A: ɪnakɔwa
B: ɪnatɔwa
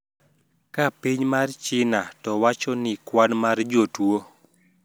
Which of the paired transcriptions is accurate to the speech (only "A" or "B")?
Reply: B